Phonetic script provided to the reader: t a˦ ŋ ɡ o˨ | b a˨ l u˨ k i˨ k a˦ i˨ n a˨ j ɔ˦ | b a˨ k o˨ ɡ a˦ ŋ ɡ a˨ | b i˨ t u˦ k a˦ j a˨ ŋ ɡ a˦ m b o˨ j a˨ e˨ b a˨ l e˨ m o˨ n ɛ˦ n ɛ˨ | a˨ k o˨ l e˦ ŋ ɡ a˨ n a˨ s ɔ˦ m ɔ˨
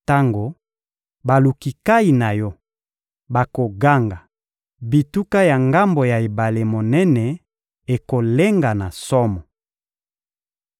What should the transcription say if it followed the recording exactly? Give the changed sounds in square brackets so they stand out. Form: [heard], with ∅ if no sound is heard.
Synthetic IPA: t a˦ ŋ ɡ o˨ | b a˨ l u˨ k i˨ k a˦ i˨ n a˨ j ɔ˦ | b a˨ k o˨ ɡ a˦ ŋ ɡ a˨ | b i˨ t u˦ k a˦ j a˨ ŋ ɡ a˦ m b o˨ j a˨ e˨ b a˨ l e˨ m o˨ n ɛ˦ n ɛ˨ | [e˨] k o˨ l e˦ ŋ ɡ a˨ n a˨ s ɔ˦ m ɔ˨